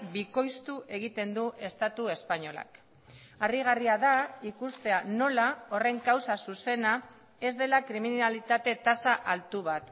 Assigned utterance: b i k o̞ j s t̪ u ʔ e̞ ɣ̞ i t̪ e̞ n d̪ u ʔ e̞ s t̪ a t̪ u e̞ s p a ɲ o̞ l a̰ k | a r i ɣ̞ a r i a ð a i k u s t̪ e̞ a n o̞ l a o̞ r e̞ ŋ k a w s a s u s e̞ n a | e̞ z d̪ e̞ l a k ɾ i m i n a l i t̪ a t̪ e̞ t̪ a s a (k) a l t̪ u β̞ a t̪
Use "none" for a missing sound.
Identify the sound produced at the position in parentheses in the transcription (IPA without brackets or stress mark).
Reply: ʔ